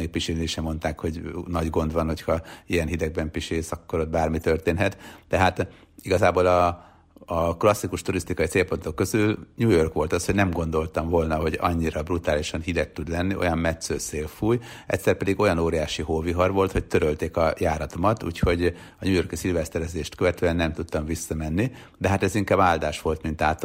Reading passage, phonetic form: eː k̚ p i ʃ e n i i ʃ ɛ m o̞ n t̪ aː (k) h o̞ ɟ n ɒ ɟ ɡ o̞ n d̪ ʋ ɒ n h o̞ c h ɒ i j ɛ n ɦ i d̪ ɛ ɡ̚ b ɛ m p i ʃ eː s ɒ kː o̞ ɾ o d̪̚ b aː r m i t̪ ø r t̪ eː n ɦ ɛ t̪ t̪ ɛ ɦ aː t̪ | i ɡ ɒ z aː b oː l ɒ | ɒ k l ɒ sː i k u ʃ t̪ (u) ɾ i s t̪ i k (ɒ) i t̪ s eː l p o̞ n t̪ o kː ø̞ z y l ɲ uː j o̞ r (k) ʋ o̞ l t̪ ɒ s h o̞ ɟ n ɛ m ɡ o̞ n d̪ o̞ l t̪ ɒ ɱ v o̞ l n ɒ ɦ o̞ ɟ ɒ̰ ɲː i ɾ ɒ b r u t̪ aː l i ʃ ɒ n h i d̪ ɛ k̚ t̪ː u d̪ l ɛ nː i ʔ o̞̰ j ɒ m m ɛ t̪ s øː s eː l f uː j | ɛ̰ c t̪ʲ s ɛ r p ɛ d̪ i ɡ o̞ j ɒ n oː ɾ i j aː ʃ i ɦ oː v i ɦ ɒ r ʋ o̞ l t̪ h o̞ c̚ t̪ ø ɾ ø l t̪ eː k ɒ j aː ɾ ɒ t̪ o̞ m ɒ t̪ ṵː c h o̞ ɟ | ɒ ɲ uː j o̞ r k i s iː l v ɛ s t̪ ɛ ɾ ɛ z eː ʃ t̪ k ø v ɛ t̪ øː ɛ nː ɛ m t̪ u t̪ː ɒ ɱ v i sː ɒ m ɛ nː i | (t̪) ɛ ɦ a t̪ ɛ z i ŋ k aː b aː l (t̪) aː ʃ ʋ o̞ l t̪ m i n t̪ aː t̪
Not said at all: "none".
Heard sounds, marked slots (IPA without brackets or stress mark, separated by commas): k, u, ɒ, k, d̪, d̪